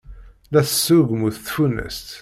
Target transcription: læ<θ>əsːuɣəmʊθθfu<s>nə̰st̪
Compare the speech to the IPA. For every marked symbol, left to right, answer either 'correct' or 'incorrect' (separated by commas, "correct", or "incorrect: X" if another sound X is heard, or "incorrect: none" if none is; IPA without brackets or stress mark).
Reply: correct, incorrect: none